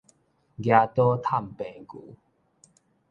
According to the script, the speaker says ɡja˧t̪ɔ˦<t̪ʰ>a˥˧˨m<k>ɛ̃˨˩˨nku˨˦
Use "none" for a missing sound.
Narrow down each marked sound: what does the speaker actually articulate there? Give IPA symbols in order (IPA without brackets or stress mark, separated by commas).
t̪ʰ, p